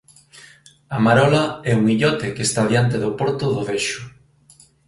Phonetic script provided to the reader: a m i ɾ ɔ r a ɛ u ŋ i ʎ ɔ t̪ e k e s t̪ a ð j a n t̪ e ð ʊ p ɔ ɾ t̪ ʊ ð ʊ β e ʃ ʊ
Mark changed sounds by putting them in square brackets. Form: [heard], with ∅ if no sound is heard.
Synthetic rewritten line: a m [a] ɾ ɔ [l] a ɛ u ŋ i ʎ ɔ t̪ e k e s t̪ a ð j a n t̪ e ð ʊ p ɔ ɾ t̪ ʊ ð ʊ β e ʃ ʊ